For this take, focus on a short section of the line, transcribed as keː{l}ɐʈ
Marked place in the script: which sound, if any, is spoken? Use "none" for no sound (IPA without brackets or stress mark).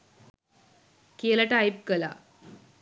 l